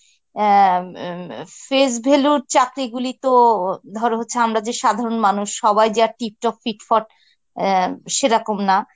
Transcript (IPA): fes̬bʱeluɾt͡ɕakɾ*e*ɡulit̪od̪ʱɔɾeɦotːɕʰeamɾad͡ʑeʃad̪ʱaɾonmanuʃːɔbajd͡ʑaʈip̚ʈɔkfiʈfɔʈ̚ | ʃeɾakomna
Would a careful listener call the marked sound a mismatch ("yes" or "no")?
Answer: yes